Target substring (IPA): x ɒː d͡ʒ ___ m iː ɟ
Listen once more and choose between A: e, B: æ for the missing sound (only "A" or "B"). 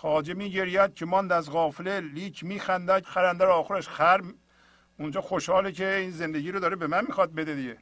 A